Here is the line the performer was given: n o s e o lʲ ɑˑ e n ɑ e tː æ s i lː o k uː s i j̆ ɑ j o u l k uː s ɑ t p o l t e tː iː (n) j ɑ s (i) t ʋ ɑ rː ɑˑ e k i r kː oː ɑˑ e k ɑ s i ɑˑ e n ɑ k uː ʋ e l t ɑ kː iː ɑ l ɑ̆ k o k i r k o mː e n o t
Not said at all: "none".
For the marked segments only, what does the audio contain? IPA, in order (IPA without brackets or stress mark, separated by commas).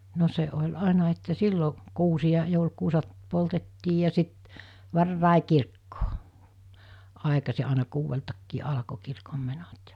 none, i